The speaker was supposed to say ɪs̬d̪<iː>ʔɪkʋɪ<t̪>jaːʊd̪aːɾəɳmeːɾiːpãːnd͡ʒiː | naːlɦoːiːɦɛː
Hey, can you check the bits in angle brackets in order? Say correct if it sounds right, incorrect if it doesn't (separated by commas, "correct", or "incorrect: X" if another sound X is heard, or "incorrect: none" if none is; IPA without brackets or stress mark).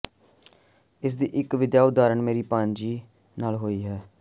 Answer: correct, incorrect: d̪